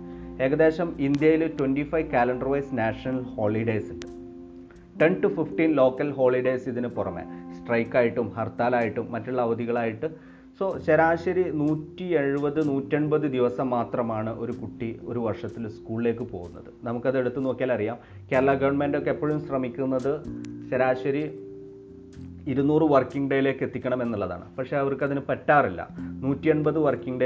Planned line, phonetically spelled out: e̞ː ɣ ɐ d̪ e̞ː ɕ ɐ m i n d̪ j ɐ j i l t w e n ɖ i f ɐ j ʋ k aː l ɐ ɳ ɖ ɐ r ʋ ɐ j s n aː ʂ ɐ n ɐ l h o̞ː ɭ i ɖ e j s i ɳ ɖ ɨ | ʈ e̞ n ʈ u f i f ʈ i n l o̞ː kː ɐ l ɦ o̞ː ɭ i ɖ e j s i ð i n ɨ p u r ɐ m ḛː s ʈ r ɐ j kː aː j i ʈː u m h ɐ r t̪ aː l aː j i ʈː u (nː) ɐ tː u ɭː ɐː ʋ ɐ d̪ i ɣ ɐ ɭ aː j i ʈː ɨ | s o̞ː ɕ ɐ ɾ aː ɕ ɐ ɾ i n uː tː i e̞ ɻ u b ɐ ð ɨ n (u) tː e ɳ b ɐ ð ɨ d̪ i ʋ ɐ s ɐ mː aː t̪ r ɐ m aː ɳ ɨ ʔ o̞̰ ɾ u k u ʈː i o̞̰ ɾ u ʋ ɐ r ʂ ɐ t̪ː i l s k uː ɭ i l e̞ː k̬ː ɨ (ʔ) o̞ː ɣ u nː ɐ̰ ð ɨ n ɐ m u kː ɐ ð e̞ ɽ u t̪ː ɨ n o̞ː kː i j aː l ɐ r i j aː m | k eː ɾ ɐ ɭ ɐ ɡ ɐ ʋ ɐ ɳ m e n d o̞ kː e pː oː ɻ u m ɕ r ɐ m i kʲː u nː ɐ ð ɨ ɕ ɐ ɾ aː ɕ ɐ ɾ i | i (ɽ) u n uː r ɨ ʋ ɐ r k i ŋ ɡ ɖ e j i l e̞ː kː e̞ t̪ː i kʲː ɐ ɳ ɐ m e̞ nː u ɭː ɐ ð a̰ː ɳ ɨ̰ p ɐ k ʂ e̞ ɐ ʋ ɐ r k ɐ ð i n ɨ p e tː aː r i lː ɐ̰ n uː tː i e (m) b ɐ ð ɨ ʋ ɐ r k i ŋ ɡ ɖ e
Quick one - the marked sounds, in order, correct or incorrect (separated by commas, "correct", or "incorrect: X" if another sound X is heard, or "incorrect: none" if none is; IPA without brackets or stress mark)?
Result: incorrect: mː, incorrect: uː, incorrect: p, incorrect: ɾ, incorrect: ɳ